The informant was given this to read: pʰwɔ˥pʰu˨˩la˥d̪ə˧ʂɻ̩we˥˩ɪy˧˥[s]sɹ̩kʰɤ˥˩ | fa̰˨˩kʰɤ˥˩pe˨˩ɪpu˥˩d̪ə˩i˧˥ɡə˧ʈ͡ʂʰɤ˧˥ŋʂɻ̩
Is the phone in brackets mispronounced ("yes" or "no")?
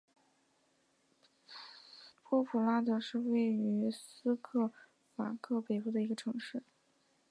no